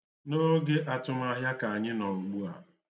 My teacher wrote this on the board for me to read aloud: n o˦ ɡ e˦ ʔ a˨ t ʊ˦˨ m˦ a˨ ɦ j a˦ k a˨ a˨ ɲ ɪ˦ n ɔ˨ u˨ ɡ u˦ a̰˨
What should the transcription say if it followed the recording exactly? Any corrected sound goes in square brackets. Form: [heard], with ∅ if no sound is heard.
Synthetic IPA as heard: n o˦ ɡ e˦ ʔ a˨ t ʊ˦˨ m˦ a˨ ɦ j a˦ k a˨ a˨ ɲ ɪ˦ n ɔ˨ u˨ [ɡ͡b] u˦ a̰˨